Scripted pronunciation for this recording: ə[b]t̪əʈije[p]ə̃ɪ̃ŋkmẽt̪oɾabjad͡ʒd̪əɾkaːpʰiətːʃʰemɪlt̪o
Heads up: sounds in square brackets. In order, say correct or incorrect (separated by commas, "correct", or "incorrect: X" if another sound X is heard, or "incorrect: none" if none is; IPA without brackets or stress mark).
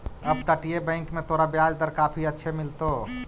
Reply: correct, incorrect: b